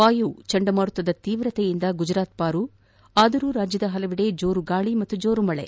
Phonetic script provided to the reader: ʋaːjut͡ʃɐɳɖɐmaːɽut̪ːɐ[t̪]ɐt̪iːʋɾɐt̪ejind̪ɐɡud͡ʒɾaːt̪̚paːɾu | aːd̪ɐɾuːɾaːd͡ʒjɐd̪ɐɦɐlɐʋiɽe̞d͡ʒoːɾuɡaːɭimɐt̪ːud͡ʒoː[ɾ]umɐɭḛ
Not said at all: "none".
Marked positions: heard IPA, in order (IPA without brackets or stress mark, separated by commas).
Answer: d̪, ɾ